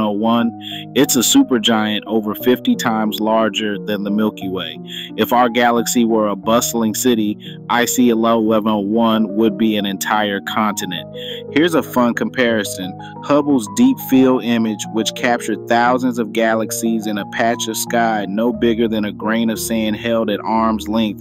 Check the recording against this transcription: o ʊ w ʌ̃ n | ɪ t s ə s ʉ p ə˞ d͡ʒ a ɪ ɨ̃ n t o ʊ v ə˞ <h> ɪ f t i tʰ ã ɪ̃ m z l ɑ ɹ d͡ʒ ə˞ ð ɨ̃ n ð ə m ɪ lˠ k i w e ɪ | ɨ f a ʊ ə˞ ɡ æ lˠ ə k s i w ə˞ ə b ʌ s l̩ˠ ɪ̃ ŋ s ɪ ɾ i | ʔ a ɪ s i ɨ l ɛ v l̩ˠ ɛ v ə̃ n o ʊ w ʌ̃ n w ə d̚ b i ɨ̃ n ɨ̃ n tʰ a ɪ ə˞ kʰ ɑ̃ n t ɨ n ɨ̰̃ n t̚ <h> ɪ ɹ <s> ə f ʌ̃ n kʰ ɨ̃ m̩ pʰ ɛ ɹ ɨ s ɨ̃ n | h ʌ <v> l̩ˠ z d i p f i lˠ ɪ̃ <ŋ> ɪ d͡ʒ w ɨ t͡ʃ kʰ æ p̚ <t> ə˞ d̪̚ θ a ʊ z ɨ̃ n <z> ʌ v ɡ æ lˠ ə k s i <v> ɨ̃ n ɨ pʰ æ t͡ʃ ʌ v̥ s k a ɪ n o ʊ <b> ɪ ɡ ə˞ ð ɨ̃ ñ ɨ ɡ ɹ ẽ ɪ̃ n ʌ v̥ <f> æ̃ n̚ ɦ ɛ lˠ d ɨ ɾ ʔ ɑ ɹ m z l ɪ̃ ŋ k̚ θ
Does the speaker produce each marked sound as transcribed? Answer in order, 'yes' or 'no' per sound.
no, yes, no, no, no, no, yes, no, yes, no

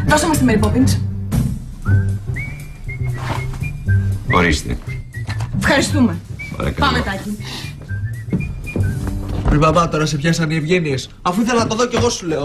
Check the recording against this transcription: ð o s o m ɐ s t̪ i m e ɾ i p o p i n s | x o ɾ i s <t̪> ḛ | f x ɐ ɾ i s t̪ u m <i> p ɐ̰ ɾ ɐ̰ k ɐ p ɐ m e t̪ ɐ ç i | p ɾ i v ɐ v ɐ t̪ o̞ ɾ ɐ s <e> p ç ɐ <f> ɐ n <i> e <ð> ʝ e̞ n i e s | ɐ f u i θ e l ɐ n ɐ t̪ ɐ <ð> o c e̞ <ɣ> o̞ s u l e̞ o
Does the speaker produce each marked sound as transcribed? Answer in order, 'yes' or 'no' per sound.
yes, no, yes, no, yes, no, yes, yes

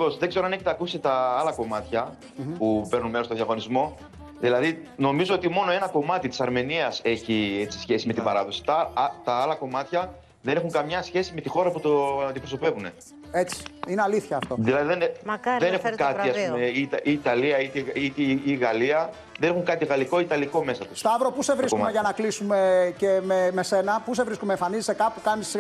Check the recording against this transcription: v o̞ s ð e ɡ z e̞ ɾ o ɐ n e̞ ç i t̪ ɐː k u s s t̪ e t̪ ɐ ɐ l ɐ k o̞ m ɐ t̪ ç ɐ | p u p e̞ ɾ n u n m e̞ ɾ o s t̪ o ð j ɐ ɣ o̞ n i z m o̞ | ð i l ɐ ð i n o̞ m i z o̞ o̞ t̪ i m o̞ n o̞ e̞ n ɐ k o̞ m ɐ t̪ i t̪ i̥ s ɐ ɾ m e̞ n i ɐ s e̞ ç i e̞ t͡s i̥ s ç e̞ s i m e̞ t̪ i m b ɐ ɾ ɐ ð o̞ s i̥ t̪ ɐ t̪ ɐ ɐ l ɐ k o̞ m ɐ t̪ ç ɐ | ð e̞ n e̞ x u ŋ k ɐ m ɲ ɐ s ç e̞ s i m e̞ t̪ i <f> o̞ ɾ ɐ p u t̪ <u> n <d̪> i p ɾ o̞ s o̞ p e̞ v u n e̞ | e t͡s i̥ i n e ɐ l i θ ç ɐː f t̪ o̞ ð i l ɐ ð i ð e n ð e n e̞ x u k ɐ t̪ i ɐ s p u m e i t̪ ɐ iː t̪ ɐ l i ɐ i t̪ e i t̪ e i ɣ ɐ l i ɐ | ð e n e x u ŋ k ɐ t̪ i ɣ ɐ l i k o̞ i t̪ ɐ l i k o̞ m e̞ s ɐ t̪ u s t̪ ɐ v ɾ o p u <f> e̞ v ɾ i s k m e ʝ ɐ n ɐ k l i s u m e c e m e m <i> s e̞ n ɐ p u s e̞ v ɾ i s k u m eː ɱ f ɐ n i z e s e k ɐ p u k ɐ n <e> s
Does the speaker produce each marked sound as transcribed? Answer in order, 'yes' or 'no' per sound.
no, no, yes, no, no, no

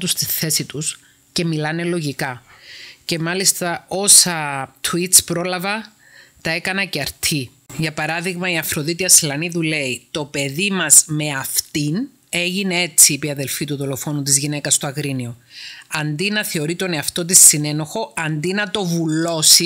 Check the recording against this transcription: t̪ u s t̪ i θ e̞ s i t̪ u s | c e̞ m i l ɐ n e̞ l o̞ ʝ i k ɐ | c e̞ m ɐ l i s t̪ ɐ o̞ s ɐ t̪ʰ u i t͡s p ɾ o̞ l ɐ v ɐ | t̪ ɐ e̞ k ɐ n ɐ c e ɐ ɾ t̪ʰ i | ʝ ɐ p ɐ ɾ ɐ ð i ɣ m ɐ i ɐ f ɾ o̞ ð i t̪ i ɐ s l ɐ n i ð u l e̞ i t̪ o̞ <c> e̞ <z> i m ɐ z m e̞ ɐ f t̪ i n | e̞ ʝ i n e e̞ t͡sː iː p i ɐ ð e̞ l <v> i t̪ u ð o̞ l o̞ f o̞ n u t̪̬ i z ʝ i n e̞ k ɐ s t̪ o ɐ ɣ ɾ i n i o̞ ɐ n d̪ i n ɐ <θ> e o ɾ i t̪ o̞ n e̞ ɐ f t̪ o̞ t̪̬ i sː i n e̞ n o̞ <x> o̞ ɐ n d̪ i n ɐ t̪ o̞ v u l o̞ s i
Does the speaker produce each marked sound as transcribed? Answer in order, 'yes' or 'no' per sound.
no, no, no, yes, yes

